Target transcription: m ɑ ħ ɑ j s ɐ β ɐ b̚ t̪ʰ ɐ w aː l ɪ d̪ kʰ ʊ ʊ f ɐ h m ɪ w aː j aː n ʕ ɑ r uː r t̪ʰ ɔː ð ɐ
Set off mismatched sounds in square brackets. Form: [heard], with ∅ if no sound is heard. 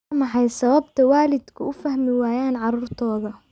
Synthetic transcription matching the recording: m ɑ ħ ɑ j s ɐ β ɐ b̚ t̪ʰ ɐ w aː l ɪ d̪ kʰ ʊ ʊ f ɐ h m ɪ w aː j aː n ʕ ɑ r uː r t̪ʰ ɔː ð ɐ

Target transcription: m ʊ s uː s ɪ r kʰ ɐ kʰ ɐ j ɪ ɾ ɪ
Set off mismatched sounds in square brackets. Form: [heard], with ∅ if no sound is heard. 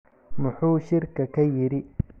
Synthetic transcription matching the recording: m ʊ [ħ] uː [ʃ] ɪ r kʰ ɐ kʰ ɐ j ɪ ɾ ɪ

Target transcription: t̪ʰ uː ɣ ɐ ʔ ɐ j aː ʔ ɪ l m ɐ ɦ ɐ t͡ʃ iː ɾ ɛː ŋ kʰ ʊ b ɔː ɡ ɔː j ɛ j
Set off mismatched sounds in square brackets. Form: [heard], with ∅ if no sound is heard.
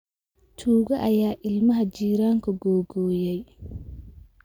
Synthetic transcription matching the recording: t̪ʰ uː ɣ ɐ ʔ ɐ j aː ʔ ɪ l m ɐ ɦ ɐ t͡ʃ iː ɾ [aː] ŋ kʰ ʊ [ɡ] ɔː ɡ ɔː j ɛ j

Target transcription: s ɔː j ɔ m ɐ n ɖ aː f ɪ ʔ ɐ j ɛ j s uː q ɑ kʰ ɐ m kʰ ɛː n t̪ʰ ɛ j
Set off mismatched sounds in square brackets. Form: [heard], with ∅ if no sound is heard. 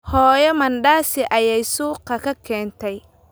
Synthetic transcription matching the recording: [h] ɔː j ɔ m ɐ n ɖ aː [s] ɪ ʔ ɐ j ɛ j s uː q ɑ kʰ ɐ [∅] kʰ ɛː n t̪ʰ ɛ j

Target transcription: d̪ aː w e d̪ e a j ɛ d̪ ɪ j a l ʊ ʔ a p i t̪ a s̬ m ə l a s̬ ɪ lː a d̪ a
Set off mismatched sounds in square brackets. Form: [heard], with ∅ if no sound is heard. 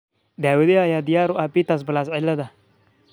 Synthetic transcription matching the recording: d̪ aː w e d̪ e a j [a] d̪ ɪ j a [ɾ] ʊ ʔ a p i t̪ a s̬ [b] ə l a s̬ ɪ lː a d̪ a

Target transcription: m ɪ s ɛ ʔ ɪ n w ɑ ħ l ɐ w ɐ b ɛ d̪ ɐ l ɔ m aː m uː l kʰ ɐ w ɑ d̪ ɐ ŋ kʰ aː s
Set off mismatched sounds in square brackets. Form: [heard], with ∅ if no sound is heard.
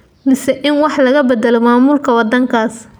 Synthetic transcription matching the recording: m ɪ s ɛ ʔ ɪ n w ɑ ħ l ɐ [ɣ] ɐ b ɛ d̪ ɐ l ɔ m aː m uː l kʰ ɐ w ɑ d̪ ɐ ŋ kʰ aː s

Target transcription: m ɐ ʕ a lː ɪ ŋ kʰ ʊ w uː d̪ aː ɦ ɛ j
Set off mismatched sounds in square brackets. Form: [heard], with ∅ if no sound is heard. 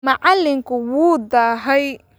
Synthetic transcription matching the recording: m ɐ ʕ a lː ɪ ŋ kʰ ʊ w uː d̪ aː ɦ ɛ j

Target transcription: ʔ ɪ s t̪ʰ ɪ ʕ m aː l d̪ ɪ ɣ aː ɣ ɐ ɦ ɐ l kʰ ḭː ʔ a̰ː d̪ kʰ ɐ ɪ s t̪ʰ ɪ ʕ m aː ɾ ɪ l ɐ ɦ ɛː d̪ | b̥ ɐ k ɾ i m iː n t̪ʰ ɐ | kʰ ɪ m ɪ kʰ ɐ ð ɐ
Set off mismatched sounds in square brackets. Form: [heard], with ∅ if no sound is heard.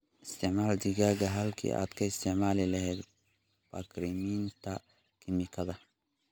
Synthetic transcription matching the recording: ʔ ɪ s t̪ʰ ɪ ʕ m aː l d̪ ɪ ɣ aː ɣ ɐ ɦ ɐ l kʰ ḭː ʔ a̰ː d̪ kʰ ɐ ɪ s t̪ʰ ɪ ʕ m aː [l] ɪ l ɐ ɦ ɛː d̪ | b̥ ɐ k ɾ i m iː n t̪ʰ ɐ | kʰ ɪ m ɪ kʰ ɐ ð ɐ

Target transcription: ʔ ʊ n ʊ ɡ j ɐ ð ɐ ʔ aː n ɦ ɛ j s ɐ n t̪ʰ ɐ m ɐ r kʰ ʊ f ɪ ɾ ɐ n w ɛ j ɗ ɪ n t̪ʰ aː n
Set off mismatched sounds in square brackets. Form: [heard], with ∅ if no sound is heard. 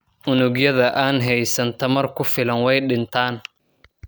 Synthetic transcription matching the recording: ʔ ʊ n ʊ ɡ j ɐ ð ɐ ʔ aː n ɦ ɛ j s ɐ n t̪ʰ ɐ m ɐ r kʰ ʊ f ɪ [l] ɐ n w ɛ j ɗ ɪ n t̪ʰ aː n

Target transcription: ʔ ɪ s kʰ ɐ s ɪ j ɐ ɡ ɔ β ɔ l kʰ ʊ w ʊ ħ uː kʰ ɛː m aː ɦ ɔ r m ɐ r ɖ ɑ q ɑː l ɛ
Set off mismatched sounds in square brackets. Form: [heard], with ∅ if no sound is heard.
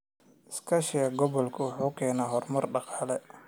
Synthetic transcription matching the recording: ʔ ɪ s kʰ ɐ [ʃ] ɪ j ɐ ɡ ɔ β ɔ l kʰ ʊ w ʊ ħ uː kʰ ɛː [n] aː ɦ ɔ r m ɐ r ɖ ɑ q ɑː l ɛ

